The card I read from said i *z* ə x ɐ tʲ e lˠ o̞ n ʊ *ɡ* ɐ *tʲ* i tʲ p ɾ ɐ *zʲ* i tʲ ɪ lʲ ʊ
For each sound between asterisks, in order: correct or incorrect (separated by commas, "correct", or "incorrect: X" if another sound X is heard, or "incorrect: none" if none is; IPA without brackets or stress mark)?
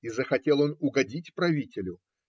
correct, correct, incorrect: dʲ, incorrect: vʲ